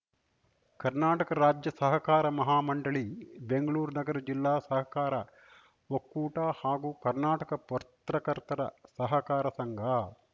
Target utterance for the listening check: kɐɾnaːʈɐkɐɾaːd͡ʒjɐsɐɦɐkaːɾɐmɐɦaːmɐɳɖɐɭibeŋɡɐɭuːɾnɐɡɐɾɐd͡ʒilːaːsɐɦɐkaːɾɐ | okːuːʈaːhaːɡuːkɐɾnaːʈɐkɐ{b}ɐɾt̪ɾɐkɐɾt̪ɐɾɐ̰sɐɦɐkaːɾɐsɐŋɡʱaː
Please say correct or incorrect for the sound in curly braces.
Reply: incorrect